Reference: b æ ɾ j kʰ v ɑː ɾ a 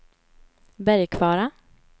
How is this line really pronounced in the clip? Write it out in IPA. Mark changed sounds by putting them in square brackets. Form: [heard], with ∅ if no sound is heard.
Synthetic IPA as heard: b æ ɾ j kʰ v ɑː ɾ a